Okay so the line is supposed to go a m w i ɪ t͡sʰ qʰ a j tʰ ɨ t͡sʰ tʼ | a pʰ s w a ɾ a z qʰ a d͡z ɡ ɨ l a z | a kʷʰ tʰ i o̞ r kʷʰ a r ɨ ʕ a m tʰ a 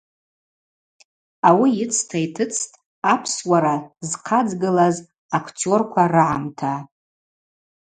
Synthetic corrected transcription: a w i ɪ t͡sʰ tʰ a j tʰ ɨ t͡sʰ tʼ | a pʰ s w a ɾ a z qʰ a d͡z ɡ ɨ l a z | a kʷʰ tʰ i o̞ r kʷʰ a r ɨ ʕ a m tʰ a